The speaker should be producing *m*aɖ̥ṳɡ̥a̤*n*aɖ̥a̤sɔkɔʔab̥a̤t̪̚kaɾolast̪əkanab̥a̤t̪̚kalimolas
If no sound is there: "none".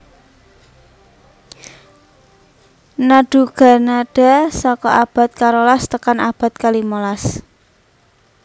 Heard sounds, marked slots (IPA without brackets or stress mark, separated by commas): n, n